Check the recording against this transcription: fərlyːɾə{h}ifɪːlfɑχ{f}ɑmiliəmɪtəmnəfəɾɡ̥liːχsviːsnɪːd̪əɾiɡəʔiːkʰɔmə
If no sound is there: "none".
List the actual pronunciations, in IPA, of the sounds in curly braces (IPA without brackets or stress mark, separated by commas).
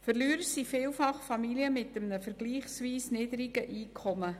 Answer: s, f